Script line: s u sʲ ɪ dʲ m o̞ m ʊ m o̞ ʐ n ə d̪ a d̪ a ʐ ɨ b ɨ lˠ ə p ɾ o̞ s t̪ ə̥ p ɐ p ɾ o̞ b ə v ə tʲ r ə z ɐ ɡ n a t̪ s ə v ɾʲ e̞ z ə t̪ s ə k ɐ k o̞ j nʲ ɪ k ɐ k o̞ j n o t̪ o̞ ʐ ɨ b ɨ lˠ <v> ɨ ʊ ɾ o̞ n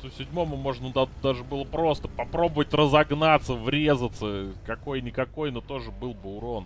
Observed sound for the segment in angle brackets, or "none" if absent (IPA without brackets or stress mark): b